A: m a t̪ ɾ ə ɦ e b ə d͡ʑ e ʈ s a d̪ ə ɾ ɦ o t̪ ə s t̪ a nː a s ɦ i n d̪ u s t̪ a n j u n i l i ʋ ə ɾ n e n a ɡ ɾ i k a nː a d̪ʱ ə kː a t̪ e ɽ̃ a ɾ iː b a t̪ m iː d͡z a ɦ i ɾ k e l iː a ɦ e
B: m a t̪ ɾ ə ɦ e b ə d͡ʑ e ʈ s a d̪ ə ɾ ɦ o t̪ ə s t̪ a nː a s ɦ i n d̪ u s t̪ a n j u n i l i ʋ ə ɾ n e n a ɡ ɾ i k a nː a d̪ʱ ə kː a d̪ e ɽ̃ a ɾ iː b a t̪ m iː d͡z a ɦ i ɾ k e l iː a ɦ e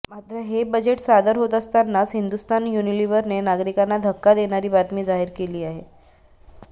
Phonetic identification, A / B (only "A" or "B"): B